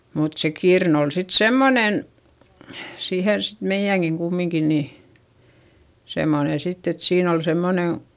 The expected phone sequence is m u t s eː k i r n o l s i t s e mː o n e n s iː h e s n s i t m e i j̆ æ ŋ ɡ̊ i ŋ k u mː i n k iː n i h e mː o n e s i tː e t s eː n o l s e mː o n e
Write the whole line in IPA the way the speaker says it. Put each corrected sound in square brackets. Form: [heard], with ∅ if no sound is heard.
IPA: m u t s [e] k i r n o l s i t s e mː o n e n s iː h e [∅] n s i t m e i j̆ æ ŋ ɡ̊ i ŋ k u mː i [ŋ] k [i] n i [s] e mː o n e s i tː e t s [iː] n o l s e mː o n e